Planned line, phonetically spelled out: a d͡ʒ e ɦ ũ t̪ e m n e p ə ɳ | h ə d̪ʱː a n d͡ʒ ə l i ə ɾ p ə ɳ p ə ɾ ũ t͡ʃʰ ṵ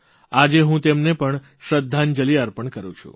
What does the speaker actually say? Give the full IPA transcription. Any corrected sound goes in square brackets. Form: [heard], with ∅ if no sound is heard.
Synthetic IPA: a d͡ʒ e ɦ ũ t̪ e m n e p ə ɳ | [ʃ] ə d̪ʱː a n d͡ʒ ə l i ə ɾ p ə ɳ [k] ə ɾ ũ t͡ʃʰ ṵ